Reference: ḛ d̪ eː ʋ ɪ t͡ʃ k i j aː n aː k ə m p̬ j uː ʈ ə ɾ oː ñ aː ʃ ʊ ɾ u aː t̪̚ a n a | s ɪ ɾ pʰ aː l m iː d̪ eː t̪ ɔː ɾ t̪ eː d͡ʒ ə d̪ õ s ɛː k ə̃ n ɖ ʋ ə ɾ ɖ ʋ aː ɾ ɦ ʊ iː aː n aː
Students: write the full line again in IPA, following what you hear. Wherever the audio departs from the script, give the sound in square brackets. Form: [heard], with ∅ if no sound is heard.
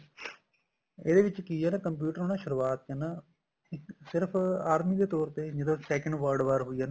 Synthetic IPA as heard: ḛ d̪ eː ʋ ɪ t͡ʃ k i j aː n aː k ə m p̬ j uː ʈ ə ɾ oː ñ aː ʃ ʊ ɾ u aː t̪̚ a n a | s ɪ ɾ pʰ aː [ɾ] m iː d̪ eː t̪ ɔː ɾ t̪ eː d͡ʒ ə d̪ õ s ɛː k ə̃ [ɳ] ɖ ʋ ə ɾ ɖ ʋ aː ɾ ɦ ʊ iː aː n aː